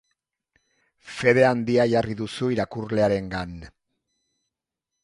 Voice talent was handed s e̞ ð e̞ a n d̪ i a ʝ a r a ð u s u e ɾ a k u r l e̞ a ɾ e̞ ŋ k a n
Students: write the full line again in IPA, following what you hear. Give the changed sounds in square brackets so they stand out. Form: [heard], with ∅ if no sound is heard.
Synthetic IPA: [f] e̞ ð e̞ a n d̪ i a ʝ a r [i] ð u s u [i] ɾ a k u r l e̞ a ɾ e̞ ŋ [ɡ] a n